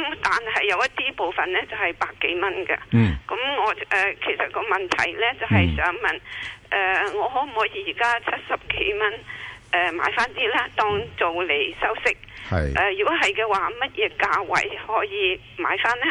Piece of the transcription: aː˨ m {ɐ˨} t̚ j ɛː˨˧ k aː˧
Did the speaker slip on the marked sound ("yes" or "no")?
yes